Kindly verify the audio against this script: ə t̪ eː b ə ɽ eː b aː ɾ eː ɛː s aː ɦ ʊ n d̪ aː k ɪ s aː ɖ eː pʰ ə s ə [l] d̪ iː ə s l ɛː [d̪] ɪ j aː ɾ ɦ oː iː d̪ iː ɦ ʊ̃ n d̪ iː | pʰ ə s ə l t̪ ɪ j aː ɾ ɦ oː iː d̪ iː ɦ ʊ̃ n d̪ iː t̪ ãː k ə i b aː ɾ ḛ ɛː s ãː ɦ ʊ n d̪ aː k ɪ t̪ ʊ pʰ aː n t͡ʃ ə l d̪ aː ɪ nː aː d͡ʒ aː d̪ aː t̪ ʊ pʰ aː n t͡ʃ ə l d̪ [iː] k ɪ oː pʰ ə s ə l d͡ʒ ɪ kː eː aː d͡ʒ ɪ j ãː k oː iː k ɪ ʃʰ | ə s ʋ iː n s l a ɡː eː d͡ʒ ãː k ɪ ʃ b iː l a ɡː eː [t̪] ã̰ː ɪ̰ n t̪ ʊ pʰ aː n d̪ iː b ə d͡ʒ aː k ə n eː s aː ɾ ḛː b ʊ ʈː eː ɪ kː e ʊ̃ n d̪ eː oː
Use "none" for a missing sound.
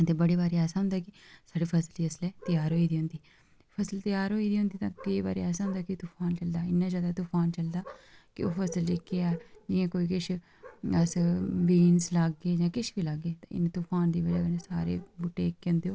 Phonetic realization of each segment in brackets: l, t̪, aː, t̪

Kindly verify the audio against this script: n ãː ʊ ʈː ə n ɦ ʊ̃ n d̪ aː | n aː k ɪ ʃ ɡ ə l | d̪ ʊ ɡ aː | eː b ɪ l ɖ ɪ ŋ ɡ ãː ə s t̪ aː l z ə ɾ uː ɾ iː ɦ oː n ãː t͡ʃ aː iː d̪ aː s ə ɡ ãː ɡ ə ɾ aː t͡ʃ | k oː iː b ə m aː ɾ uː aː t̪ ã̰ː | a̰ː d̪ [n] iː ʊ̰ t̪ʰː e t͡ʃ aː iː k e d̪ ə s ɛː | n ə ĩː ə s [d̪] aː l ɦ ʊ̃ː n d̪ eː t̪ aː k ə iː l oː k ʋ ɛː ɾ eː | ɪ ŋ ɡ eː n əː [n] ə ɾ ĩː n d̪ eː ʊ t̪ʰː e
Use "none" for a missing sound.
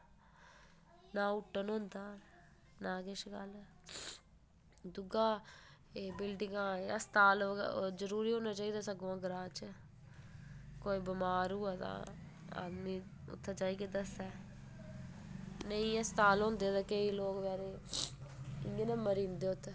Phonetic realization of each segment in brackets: m, t̪, m

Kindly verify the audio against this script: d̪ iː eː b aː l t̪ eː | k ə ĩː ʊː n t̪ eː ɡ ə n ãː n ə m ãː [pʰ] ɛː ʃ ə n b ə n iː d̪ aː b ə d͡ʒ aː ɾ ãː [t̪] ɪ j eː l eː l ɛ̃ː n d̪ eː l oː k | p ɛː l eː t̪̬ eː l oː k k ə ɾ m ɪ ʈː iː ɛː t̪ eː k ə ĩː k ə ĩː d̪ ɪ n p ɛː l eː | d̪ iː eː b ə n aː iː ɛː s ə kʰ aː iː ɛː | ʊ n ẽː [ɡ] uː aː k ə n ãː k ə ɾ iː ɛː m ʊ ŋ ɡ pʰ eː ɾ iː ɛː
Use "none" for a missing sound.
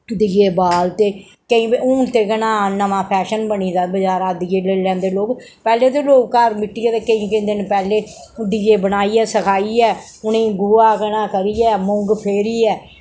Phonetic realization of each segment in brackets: pʰ, d̪, ɡ

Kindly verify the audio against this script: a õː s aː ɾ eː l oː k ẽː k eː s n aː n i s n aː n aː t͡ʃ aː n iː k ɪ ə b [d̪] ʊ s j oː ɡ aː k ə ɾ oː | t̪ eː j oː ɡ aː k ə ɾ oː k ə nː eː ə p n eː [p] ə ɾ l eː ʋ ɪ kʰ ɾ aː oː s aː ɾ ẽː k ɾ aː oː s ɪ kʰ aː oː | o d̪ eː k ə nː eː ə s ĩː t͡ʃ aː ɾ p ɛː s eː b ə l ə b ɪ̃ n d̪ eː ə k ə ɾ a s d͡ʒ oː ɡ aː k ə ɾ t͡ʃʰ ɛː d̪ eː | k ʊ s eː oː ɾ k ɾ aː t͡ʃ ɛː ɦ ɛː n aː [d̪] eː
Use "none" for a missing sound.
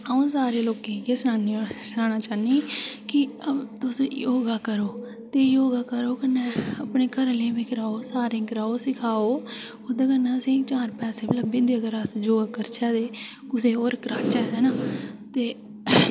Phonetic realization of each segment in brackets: t̪, k, t̪

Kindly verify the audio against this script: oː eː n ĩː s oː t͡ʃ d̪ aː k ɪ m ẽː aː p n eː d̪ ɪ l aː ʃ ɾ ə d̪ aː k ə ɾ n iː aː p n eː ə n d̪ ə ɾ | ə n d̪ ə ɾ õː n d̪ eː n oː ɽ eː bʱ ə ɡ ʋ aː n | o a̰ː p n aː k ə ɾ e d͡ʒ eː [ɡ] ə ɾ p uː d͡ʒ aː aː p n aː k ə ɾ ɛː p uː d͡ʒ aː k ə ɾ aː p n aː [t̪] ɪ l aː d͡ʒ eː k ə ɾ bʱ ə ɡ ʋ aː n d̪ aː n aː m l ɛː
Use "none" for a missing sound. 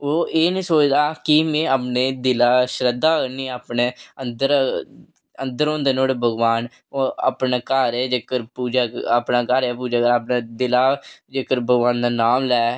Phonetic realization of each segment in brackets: k, d̪

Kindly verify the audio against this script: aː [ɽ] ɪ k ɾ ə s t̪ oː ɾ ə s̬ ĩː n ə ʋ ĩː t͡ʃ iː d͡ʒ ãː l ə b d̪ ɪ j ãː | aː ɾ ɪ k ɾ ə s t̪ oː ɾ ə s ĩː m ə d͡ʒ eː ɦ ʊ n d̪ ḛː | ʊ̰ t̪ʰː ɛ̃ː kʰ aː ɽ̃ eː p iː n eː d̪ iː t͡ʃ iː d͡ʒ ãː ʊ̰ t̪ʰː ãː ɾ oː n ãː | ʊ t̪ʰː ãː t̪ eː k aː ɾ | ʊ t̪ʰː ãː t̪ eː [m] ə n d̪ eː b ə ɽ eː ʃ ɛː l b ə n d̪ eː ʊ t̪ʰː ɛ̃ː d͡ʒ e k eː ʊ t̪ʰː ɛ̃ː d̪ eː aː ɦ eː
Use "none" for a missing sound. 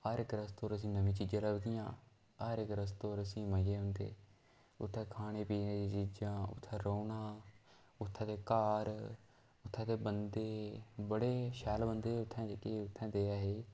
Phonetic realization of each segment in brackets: ɾ, b

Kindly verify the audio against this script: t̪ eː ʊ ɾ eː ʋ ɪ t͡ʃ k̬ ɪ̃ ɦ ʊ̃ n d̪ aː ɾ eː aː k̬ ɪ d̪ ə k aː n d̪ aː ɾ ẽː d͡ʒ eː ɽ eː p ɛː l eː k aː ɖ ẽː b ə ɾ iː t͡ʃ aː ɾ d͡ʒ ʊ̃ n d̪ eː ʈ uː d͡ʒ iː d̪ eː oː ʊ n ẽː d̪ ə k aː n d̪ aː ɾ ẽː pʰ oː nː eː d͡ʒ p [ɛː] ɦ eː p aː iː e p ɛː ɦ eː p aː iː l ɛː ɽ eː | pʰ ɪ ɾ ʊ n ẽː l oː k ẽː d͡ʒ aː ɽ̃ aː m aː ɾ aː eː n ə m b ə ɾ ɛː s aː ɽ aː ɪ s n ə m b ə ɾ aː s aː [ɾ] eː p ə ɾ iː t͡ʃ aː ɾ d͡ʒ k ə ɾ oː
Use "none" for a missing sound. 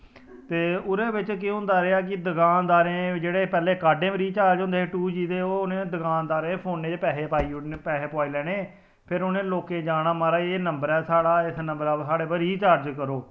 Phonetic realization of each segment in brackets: ɛː, ɽ

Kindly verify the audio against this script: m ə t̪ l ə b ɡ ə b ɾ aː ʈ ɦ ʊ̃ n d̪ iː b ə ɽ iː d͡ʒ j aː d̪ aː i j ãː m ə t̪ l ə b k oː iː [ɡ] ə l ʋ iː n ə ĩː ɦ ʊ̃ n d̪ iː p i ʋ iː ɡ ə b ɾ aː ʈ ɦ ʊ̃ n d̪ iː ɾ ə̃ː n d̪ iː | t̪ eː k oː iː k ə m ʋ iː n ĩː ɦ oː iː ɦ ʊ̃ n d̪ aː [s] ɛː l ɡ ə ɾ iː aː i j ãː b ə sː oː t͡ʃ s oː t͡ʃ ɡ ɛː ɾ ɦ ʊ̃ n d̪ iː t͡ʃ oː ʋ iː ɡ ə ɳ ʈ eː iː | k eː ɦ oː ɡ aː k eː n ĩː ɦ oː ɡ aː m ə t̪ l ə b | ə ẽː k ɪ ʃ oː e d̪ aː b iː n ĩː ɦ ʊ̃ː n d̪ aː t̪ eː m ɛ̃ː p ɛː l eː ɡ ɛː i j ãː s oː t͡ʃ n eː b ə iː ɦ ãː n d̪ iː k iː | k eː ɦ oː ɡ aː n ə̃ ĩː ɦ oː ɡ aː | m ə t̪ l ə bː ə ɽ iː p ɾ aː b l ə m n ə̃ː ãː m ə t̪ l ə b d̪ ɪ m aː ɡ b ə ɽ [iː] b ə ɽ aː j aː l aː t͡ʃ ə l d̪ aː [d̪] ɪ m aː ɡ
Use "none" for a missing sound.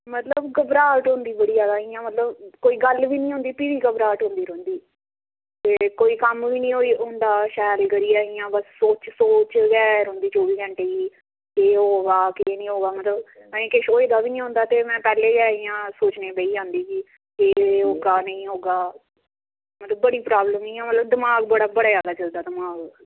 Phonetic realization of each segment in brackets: ɡ, ʃ, aː, d̪

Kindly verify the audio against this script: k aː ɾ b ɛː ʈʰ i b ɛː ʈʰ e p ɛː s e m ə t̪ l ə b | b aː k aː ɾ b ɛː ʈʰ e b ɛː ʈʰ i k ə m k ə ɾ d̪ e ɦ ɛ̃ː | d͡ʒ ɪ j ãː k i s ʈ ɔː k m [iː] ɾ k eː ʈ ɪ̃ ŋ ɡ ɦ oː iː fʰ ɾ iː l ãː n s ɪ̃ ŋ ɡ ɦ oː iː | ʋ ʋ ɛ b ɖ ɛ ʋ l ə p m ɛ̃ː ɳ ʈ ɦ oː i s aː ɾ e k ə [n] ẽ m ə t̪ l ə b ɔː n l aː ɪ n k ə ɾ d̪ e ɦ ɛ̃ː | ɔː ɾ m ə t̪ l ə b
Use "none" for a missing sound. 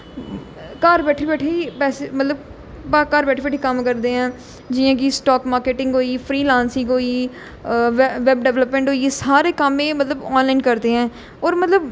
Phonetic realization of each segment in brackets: aː, m

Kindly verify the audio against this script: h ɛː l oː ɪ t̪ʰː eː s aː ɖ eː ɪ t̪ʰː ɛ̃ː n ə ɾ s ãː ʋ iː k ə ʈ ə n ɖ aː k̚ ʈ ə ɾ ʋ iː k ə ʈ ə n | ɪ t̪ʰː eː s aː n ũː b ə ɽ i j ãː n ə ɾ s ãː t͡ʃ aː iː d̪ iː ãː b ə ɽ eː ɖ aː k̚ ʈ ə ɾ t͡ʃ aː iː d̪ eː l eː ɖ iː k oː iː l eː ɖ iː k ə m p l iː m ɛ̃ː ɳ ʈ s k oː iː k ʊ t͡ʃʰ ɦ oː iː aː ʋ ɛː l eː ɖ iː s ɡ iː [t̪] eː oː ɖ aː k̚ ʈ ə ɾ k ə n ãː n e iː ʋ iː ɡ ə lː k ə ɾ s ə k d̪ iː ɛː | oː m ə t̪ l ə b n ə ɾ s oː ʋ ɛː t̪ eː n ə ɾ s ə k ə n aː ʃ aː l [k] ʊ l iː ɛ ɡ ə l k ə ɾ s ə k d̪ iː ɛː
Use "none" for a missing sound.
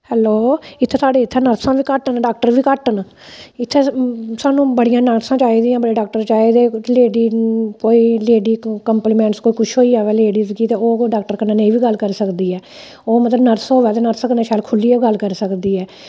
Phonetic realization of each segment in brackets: t̪, kʰ

